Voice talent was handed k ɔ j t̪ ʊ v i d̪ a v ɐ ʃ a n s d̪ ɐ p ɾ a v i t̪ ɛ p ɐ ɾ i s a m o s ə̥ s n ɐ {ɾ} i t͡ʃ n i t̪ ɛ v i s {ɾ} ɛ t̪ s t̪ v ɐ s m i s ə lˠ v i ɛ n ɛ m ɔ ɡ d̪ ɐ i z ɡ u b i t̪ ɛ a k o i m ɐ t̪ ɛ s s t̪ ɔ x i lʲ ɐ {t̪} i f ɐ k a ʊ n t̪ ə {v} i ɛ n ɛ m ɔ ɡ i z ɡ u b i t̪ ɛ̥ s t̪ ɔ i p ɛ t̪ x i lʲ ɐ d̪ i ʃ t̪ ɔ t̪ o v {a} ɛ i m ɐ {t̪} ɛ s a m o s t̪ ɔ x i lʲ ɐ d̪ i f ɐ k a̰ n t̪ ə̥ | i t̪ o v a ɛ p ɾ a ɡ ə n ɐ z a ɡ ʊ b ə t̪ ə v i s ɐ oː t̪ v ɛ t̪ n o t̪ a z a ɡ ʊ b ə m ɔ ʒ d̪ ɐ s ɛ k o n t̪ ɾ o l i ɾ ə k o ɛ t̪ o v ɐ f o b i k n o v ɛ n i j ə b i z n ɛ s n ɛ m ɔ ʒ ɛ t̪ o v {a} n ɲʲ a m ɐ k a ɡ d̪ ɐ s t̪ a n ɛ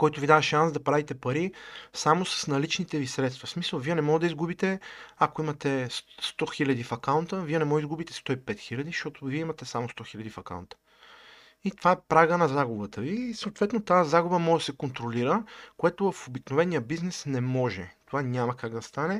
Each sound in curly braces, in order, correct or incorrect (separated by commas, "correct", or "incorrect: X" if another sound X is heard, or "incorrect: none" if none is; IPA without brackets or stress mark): incorrect: l, correct, incorrect: d̪, correct, incorrect: i, correct, correct